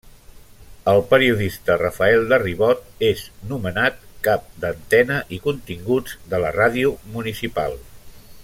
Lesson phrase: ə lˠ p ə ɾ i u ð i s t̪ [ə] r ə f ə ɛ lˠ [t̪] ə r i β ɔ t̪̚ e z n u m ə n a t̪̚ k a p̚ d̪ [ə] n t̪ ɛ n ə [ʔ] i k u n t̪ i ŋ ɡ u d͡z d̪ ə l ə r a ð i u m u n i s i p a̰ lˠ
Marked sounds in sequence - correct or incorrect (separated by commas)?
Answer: correct, incorrect, correct, correct